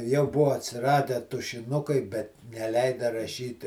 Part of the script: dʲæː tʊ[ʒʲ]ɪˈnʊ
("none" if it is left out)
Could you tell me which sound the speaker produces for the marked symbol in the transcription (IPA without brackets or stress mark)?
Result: ʃʲ